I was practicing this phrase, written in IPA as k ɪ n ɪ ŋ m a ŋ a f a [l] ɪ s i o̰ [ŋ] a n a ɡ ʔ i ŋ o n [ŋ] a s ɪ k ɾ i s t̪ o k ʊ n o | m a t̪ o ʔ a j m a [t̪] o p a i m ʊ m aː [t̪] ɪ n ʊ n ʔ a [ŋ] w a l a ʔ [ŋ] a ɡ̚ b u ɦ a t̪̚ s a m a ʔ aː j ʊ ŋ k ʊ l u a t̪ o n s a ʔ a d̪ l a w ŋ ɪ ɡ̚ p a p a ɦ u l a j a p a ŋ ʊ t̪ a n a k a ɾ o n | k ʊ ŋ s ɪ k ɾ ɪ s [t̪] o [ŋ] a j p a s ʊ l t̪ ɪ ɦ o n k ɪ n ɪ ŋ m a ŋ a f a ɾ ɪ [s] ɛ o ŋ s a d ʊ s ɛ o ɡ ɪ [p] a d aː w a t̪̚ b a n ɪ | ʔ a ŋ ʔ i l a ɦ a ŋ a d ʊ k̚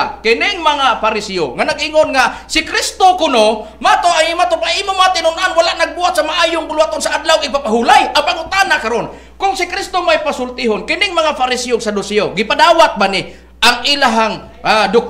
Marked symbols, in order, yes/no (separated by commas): no, yes, yes, yes, yes, no, no, yes, no, yes, yes